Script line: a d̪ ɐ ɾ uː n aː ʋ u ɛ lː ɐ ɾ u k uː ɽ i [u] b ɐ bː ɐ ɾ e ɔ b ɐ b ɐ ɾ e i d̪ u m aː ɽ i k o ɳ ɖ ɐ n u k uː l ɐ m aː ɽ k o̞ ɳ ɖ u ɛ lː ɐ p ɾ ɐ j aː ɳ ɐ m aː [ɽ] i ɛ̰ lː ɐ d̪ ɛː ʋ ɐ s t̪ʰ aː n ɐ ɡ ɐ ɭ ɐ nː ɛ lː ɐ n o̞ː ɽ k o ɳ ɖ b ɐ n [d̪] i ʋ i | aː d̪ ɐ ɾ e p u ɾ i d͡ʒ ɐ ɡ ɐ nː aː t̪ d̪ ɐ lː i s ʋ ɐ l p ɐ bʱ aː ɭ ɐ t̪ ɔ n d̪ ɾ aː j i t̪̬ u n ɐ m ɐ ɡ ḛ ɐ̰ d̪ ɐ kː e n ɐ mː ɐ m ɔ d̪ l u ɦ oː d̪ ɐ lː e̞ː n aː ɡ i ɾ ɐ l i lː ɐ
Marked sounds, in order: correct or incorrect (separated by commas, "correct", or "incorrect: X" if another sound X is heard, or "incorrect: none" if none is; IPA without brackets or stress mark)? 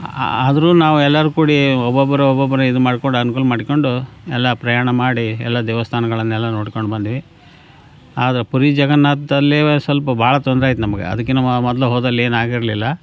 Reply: incorrect: ɔ, correct, correct